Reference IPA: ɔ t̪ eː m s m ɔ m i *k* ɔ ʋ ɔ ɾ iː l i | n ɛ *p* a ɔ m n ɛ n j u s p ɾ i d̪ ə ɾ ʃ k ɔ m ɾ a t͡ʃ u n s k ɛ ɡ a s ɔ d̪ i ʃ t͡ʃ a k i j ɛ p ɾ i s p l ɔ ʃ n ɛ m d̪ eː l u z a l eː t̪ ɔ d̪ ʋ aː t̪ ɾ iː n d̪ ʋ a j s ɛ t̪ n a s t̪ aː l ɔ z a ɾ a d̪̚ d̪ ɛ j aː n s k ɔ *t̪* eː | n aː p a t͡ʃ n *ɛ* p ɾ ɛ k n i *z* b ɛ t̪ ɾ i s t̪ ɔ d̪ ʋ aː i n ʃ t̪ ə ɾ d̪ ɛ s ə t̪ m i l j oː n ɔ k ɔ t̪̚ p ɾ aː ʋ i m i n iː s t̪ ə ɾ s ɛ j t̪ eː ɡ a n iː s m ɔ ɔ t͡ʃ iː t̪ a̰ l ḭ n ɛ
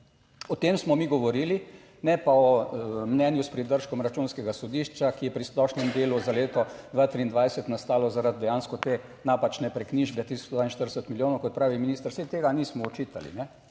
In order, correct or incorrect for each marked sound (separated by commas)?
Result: incorrect, correct, correct, correct, incorrect